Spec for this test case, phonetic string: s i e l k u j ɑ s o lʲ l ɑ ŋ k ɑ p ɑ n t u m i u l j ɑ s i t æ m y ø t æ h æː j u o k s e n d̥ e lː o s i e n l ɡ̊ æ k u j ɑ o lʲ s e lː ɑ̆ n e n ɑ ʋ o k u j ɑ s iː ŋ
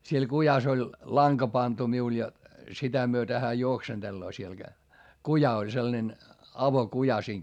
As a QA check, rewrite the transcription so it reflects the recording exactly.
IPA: s i e l k u j ɑ s o lʲ l ɑ ŋ k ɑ p ɑ n t u m i u l j ɑ s i t æ m y ø t æ h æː j u o k s e n d̥ e lː oː s i e l ɡ̊ æ k u j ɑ o lʲ s e lː ɑ̆ n e n ɑ ʋ o k u j ɑ s iː ŋ